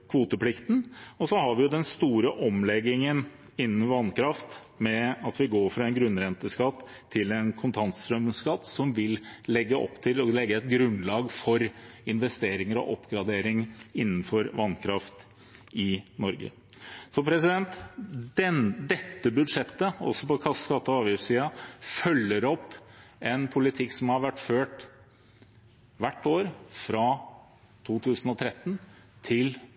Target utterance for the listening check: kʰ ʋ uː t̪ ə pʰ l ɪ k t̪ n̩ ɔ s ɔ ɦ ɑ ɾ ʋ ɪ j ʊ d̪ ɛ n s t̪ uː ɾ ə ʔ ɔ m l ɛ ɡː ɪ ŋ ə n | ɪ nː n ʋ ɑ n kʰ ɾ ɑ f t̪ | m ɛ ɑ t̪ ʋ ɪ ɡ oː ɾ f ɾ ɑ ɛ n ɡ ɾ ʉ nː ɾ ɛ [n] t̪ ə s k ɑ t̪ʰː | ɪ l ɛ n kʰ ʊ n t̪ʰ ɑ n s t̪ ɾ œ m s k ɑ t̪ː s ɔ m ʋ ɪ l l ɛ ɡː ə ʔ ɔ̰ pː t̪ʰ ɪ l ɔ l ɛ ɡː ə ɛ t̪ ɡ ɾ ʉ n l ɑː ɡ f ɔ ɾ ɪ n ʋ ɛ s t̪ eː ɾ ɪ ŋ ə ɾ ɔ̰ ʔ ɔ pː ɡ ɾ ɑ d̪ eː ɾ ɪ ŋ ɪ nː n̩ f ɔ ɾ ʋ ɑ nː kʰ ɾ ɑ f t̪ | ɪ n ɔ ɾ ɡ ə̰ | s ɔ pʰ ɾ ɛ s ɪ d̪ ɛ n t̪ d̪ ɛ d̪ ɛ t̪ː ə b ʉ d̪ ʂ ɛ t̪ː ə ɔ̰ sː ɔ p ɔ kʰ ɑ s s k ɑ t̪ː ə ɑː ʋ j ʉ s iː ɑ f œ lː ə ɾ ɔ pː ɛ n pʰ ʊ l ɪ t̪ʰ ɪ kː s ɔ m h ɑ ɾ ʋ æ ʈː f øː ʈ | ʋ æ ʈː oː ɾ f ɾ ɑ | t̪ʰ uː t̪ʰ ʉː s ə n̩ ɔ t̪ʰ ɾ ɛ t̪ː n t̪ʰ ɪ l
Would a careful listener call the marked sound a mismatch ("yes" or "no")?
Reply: no